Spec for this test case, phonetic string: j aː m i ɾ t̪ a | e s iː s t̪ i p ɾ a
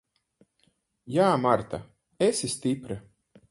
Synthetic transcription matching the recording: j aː m a ɾ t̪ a | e s i s t̪ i p ɾ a